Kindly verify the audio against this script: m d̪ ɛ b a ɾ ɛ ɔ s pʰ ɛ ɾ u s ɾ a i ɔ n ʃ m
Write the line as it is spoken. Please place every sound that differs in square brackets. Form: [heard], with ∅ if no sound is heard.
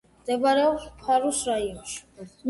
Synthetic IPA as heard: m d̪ ɛ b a ɾ ɛ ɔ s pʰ [a] ɾ u s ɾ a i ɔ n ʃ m